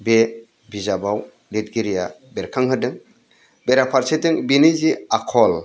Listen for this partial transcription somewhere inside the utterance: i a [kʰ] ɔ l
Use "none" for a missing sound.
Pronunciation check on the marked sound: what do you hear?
kʰ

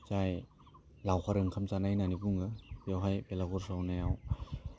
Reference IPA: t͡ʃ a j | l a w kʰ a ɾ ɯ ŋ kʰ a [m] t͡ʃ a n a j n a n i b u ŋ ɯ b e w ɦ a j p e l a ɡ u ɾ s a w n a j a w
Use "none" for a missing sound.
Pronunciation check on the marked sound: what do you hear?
m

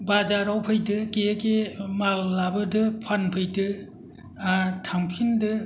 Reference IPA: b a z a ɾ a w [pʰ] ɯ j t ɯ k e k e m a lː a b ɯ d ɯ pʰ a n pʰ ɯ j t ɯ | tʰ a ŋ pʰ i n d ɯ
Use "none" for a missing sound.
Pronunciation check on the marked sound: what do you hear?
pʰ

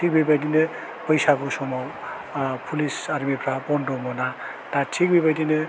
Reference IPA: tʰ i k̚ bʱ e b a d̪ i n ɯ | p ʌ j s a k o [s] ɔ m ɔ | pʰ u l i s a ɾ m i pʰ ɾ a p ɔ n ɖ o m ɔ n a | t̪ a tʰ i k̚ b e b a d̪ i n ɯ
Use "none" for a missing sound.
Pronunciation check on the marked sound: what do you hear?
s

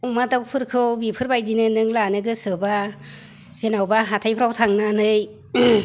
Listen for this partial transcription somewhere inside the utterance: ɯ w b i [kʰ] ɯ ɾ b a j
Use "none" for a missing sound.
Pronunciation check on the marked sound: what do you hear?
pʰ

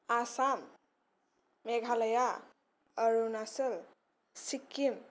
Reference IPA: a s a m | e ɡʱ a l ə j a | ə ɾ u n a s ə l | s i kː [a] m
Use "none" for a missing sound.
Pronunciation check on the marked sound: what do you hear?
i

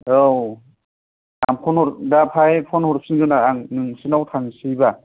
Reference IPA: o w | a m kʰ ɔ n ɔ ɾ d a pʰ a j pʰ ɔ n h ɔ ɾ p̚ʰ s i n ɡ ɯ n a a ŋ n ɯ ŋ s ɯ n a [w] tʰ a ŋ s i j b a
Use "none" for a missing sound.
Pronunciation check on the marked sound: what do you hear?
w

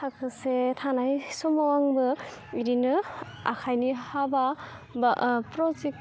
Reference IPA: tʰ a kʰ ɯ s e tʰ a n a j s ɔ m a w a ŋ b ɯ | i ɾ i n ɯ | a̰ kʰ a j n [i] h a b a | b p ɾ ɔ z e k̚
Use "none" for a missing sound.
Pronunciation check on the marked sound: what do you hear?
i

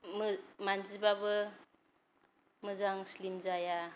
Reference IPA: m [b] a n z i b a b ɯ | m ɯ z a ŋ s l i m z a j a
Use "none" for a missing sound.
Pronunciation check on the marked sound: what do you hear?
m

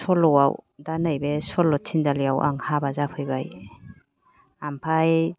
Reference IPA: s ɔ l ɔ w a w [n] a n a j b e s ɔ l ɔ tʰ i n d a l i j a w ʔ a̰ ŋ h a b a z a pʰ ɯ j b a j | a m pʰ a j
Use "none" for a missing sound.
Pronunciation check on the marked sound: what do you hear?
d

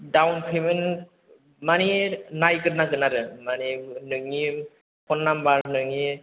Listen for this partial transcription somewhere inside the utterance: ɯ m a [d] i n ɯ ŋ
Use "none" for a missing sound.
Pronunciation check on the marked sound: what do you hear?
n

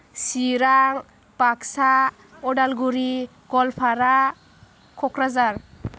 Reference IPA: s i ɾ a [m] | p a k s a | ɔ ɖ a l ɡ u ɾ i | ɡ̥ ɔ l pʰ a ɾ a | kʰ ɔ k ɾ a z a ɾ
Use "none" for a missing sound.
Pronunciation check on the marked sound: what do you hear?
ŋ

